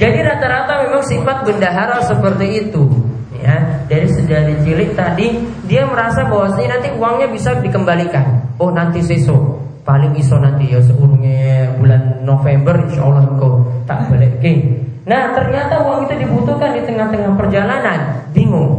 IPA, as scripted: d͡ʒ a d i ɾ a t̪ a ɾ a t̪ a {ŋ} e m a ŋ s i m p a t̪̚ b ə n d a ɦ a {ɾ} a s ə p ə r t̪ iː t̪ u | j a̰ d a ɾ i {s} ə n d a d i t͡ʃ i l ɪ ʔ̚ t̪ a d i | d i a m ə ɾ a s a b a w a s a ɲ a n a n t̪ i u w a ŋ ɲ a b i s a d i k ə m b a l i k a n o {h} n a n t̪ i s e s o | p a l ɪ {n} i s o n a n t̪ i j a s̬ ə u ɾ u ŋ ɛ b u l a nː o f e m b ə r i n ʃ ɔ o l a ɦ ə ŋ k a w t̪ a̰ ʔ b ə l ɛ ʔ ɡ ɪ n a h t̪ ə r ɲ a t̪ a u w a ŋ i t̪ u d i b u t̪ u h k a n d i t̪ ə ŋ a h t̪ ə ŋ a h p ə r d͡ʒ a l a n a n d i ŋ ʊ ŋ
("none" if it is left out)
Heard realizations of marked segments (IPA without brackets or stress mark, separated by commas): m, ɾ, s, h, ŋ